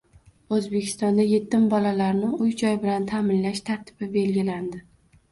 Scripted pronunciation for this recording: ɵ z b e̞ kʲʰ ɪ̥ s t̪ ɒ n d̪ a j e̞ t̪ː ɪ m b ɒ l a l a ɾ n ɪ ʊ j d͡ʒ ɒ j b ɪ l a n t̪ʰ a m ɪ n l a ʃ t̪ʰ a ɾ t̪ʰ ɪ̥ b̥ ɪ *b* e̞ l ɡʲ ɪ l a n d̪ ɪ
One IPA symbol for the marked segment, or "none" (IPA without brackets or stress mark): b